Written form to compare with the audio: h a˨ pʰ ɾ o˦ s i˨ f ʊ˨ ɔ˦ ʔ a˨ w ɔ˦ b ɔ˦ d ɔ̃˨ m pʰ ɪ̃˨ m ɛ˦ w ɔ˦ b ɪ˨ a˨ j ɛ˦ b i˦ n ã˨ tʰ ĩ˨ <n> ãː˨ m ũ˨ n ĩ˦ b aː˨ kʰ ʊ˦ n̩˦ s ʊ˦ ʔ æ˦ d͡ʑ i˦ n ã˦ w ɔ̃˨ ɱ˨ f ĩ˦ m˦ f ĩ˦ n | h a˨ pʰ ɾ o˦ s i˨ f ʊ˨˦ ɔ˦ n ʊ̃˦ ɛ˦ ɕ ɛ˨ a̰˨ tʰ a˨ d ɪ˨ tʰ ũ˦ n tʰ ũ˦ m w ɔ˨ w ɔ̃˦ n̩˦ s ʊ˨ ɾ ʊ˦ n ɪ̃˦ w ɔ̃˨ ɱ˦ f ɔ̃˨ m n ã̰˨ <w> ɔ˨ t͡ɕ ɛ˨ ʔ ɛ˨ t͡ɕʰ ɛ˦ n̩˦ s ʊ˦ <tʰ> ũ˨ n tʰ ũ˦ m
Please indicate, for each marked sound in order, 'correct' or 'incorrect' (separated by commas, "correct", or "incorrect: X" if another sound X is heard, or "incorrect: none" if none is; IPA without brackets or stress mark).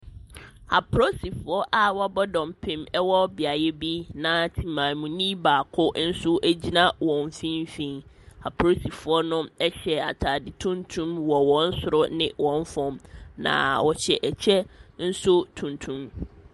incorrect: m, correct, correct